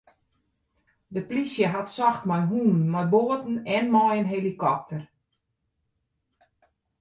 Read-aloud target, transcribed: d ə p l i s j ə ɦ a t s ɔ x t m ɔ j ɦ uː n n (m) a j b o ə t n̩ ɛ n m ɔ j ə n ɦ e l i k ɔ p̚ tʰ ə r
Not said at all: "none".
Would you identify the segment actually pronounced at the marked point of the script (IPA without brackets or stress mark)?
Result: m